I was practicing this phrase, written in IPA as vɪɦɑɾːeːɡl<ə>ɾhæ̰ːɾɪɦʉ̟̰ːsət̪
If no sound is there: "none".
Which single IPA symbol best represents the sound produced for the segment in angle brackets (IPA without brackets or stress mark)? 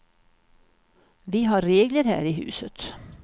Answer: ə